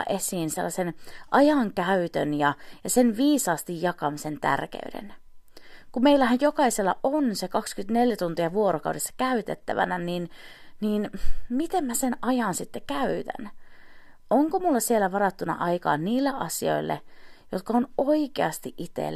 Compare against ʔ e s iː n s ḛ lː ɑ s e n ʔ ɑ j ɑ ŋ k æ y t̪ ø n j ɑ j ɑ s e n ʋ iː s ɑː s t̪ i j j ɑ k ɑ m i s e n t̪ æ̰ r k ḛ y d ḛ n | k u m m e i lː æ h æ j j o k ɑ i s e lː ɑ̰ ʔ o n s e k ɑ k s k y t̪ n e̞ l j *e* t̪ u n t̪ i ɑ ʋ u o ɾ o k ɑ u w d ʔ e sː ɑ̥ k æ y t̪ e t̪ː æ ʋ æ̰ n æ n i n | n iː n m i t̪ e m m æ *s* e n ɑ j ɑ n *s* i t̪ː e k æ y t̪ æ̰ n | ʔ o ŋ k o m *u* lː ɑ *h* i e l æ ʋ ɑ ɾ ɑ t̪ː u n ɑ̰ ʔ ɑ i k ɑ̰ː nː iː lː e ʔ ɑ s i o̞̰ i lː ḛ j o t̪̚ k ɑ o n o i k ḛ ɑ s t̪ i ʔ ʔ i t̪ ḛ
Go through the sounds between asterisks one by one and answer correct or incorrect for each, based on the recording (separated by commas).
incorrect, correct, correct, correct, incorrect